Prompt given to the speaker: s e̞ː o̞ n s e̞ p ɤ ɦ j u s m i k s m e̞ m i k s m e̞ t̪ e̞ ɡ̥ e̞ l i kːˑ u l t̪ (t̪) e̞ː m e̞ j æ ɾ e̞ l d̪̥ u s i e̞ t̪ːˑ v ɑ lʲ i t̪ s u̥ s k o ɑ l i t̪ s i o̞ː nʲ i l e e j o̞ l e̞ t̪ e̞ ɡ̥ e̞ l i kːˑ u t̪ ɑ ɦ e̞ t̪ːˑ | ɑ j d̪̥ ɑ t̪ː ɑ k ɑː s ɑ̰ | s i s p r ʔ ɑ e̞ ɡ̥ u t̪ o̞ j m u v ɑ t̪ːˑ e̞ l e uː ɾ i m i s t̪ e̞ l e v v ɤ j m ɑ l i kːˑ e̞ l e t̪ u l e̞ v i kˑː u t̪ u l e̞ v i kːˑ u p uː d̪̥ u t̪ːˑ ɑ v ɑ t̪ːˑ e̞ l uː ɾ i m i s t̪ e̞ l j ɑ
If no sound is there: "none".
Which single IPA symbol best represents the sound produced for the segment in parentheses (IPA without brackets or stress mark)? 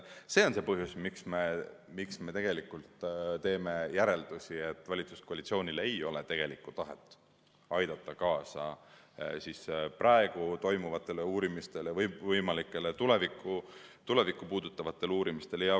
t̪